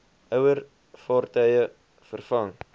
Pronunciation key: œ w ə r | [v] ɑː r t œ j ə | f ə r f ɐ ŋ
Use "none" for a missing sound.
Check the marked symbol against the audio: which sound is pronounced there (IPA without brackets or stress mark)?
f